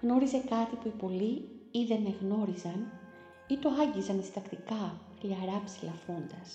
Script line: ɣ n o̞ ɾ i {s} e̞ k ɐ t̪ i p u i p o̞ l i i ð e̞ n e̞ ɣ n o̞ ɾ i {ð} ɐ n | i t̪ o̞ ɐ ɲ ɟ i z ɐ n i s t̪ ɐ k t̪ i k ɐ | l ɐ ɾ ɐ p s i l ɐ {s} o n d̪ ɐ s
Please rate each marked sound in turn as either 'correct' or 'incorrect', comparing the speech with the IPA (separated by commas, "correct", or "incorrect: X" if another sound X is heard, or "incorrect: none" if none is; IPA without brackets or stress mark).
incorrect: z, incorrect: z, incorrect: f